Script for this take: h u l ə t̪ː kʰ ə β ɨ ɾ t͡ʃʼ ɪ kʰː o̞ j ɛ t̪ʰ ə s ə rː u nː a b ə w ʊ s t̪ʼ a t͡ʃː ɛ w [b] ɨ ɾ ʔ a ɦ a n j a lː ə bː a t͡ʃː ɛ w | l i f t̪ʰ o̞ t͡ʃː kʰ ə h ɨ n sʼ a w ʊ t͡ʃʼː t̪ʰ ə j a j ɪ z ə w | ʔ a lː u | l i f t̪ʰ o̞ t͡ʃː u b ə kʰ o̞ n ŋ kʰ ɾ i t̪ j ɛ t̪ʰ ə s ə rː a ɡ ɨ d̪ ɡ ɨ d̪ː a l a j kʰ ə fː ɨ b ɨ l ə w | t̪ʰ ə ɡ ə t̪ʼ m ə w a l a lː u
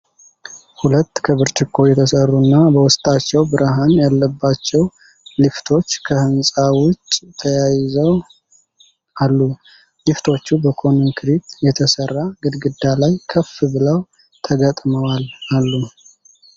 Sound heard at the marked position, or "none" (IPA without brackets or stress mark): b